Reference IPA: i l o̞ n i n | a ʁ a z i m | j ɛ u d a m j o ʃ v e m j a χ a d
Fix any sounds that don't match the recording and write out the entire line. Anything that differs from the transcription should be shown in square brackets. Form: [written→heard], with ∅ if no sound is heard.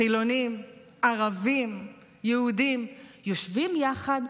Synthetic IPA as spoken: i l o̞ n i [n→m] | a ʁ a [z→v] i m | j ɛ u d [a→i] m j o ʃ v [e→i] m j a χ a d